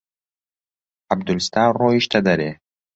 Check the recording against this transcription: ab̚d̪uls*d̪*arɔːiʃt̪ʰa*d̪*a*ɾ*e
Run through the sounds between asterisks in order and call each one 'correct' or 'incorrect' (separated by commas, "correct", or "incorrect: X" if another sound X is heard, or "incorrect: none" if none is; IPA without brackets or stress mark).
incorrect: t̪, correct, correct